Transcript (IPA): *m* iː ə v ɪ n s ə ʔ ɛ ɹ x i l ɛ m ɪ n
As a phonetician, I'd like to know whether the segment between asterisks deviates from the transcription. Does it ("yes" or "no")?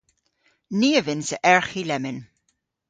yes